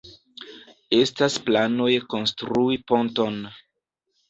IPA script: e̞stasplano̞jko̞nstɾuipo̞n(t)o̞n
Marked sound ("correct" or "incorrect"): correct